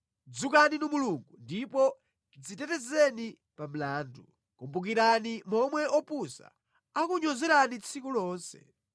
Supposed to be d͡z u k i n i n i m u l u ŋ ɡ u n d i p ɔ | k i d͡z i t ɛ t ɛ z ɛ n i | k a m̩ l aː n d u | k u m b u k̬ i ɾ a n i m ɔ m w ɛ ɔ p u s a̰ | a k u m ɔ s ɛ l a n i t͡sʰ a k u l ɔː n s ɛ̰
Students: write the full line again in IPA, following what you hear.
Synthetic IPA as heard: d͡z u k a n i n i m u l u ŋ ɡ u n d i p ɔ | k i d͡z i t ɛ t ɛ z ɛ n i | p a m̩ l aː n d u | k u m b u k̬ i ɾ a n i m ɔ m w ɛ ɔ p u s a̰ | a k u ɲ ɔ z ɛ ɾ a n i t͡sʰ i k u l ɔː n s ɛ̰

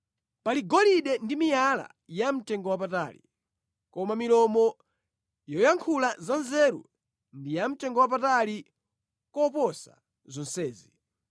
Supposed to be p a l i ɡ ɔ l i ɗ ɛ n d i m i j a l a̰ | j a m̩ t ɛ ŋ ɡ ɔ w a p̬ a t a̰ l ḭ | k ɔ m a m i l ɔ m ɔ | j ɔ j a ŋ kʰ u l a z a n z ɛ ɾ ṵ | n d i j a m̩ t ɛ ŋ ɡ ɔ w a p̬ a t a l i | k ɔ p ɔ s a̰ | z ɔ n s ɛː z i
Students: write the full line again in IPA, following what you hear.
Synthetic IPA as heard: p a l i ɡ ɔ l i ɗ ɛ n d i m i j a l a̰ | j a m̩ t ɛ ŋ ɡ ɔ w a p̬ a t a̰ l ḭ | k ɔ m a m i l ɔ m ɔ | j ɔ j a ŋ kʰ u l a z a n z ɛ ɾ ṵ | n d i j a m̩ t ɛ ŋ ɡ ɔ w a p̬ a t a l i | k ɔ p ɔ s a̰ | z ɔ n s ɛː z i

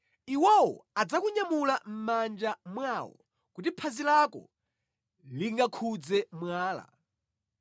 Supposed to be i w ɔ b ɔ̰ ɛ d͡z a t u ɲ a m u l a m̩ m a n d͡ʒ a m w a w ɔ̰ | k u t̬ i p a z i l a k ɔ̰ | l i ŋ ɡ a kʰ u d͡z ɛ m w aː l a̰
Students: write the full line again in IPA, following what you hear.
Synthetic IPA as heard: i w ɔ w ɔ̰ a d͡z a k u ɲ a m u l a m̩ m a n d͡ʒ a m w a w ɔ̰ | k u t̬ i pʰ a z i l a k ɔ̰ | l i ŋ ɡ a kʰ u d͡z ɛ m w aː l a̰

